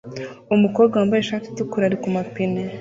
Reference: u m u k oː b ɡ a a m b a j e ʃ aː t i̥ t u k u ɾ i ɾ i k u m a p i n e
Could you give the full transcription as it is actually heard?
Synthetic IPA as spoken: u m u k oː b ɡ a a m b a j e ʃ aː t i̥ t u k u ɾ a ɾ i k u m a p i n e